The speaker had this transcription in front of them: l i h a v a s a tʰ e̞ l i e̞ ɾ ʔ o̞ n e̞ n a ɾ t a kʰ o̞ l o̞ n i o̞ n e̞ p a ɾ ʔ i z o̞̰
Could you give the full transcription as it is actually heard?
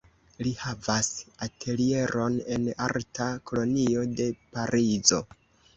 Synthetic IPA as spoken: l i h a v a s a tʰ e̞ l i e̞ ɾ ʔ o̞ n e̞ n a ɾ t a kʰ o̞ l o̞ n i o̞ d e̞ p a ɾ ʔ i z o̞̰